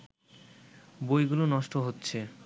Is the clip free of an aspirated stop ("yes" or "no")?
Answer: yes